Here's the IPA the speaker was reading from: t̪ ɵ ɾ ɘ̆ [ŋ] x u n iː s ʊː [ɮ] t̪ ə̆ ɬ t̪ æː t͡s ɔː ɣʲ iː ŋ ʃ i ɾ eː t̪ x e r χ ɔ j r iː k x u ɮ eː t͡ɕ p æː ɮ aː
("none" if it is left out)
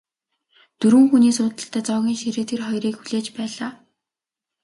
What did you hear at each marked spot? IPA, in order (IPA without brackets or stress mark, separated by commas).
ŋ, none